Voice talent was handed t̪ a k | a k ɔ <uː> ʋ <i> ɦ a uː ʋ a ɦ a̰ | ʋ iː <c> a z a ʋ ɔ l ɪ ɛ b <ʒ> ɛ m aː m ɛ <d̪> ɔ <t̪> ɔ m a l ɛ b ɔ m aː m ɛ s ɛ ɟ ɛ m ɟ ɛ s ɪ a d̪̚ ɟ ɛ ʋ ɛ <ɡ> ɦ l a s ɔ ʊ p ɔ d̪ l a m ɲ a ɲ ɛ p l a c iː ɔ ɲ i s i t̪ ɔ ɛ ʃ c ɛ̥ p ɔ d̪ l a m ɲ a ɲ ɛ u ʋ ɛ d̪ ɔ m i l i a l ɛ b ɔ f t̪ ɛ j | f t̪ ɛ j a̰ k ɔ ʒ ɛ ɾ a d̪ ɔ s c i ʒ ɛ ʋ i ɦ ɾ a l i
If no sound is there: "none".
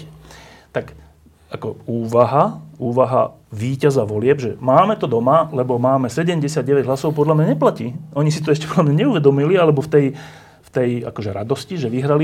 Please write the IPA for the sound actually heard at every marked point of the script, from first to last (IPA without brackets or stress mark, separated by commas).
uː, a, c, ʒ, t̪, d̪, ɟ